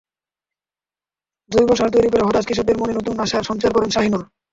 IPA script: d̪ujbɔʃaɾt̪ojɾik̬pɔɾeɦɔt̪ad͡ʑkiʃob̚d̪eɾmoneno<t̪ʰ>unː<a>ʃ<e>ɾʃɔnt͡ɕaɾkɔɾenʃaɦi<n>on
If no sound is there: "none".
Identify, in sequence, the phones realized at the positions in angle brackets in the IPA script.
t̪, a, a, n

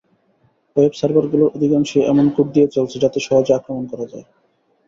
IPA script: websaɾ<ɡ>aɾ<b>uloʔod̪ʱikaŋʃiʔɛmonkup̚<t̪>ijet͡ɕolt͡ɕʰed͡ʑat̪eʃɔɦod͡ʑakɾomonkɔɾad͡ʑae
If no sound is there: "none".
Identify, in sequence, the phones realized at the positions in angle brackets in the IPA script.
b, ɡ, d̪

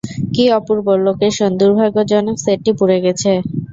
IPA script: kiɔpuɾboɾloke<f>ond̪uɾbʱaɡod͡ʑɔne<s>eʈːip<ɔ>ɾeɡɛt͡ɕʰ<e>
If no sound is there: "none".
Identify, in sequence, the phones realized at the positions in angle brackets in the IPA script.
ʃ, s, u, e

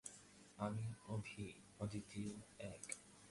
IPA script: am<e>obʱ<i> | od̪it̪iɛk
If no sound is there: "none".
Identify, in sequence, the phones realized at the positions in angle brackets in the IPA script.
i, i

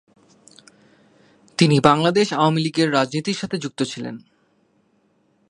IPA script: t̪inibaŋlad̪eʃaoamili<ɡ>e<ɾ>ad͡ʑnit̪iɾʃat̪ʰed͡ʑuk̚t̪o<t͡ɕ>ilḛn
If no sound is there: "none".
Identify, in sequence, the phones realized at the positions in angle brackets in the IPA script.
ɡ, ɾː, t͡ɕʰ

